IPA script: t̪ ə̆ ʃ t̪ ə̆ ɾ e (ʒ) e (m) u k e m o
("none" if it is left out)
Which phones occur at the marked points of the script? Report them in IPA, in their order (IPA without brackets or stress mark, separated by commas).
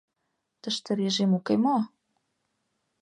ʒ, m